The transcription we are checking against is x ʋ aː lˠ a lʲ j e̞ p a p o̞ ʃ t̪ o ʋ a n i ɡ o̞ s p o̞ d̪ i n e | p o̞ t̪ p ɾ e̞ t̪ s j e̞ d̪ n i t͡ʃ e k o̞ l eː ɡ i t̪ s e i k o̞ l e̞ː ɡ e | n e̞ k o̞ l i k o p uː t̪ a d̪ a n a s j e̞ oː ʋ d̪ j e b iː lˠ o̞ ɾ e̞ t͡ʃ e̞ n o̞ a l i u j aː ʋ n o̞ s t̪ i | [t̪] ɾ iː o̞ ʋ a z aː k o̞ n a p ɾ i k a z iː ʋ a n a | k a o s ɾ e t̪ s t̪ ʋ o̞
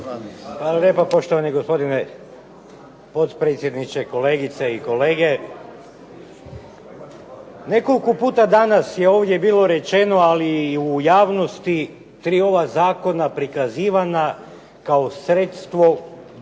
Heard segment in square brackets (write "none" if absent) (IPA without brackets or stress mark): t̪